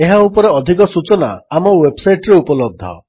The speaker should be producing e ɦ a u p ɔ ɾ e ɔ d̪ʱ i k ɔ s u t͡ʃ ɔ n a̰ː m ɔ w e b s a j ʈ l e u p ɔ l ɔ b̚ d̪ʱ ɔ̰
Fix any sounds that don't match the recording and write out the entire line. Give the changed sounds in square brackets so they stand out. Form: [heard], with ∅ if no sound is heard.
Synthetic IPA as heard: e ɦ a u p ɔ ɾ e ɔ d̪ʱ i k ɔ s u t͡ʃ ɔ n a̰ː m ɔ w e b s a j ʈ [ɾ] e u p ɔ l ɔ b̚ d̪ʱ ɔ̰

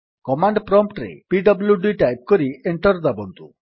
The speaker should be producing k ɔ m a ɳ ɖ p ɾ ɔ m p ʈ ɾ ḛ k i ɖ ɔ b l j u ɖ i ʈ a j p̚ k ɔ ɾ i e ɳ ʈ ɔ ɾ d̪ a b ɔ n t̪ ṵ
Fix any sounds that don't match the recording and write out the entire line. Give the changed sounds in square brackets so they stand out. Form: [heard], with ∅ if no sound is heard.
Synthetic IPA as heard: k ɔ m a ɳ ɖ p ɾ ɔ m p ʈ ɾ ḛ [p] i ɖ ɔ b l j u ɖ i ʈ a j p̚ k ɔ ɾ i e ɳ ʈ ɔ ɾ d̪ a b ɔ n t̪ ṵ

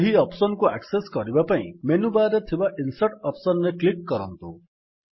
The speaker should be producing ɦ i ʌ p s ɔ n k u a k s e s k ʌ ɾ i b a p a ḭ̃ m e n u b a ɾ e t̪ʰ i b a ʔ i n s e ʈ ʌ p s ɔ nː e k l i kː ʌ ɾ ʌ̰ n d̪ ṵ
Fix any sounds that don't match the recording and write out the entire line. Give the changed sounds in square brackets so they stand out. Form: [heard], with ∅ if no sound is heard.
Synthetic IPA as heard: ɦ i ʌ p s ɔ n k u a k s e s k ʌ ɾ i b a p a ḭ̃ m e n u b a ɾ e t̪ʰ i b a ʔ i n s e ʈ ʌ p s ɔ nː e k l i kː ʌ ɾ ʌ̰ n [t̪] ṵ

